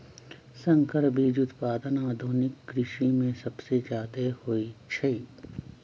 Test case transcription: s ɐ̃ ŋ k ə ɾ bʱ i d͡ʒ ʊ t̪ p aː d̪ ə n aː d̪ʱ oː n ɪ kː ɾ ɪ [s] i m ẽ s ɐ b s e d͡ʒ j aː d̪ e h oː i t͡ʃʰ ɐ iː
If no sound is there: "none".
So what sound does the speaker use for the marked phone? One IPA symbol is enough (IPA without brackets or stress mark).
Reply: ʃ